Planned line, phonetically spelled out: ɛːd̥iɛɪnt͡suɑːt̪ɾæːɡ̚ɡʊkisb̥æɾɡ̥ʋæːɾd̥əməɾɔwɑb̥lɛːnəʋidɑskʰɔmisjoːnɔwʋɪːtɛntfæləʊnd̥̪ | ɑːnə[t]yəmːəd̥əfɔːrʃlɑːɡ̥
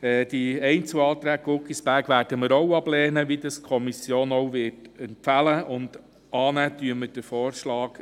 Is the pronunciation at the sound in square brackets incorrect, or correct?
correct